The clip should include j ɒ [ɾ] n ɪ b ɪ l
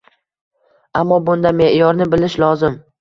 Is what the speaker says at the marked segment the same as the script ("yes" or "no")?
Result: yes